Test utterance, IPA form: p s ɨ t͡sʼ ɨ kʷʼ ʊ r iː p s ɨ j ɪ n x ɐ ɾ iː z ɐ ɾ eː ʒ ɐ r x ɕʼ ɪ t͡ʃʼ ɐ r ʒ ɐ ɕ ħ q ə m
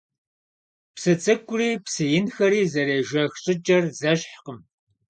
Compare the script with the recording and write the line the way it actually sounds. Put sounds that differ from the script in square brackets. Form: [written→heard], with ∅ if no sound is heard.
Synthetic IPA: p s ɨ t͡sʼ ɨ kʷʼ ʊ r iː p s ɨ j ɪ n x ɐ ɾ iː z ɐ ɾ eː ʒ ɐ [r→∅] x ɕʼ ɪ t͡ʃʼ ɐ r [ʒ→z] ɐ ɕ ħ q ə m

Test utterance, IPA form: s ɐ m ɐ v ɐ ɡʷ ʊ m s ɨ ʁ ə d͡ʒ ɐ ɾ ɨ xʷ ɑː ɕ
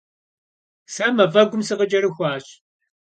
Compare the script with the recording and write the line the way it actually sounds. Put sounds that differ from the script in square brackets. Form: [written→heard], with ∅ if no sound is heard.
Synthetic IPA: s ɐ m ɐ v ɐ ɡʷ ʊ m s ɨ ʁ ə d͡ʒ ɐ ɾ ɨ xʷ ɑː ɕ

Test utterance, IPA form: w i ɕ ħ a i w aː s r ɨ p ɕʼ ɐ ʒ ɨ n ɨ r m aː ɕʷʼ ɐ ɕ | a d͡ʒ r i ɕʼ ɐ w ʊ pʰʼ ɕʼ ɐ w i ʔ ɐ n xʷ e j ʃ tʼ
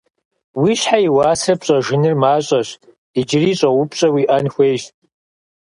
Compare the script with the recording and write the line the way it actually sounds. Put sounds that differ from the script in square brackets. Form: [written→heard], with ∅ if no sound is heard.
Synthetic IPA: w i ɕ ħ a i w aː s r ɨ p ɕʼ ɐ ʒ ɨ n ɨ r m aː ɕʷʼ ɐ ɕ | [a→i] d͡ʒ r i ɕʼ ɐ w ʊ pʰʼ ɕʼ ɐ w i ʔ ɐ n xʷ e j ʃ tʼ

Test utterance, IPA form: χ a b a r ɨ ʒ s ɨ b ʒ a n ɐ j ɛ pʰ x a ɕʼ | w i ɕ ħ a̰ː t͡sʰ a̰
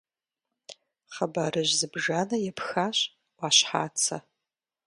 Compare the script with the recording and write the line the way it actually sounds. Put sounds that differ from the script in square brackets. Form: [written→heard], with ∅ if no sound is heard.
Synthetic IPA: χ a b a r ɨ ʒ [s→z] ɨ b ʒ a n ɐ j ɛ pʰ x a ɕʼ | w [i→a] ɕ ħ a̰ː t͡sʰ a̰

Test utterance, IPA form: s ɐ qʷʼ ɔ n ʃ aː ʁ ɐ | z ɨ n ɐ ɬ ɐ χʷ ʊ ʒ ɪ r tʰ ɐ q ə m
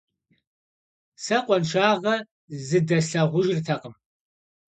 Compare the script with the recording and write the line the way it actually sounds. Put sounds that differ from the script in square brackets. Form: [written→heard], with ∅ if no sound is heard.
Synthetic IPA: s ɐ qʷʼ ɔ n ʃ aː ʁ ɐ | z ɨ [n→d] ɐ ɬ ɐ [χʷ→ʁʷ] ʊ ʒ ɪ r tʰ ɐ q ə m

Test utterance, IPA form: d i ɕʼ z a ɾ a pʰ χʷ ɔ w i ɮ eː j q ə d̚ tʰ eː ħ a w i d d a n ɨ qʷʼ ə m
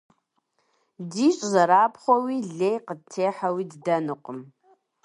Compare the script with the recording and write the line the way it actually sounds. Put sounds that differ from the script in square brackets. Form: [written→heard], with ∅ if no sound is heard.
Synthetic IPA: d i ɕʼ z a ɾ a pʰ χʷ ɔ w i ɮ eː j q ə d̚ tʰ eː ħ a w i d d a n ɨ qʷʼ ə m

